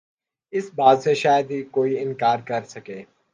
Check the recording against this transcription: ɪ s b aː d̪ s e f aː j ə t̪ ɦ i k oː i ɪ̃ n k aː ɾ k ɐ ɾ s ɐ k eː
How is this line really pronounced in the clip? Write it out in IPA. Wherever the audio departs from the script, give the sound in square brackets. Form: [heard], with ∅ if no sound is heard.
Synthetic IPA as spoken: ɪ s b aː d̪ s e [ʃ] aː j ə [d̪] ɦ i k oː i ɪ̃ n k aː ɾ k ɐ ɾ s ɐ k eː